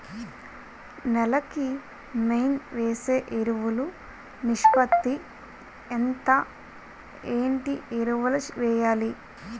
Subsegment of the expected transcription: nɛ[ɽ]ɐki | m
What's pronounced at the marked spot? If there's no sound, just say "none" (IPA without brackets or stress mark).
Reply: l